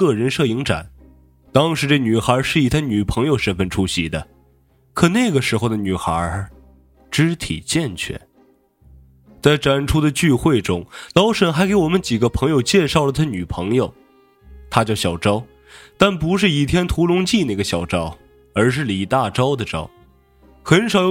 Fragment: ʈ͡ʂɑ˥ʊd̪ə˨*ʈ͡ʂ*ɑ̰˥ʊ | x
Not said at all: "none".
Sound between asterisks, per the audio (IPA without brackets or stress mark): ʈ͡ʂ